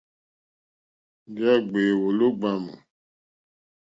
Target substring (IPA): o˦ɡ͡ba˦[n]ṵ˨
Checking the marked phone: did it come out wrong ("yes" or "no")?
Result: yes